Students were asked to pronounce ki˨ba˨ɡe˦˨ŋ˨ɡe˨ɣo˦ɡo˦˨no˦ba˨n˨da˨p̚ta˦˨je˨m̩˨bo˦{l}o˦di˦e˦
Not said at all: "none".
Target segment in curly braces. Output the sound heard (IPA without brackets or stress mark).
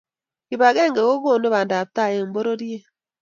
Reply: ɾ